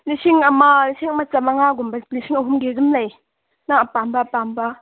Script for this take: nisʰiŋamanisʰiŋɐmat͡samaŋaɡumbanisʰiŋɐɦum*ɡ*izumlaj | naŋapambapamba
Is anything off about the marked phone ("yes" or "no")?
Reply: no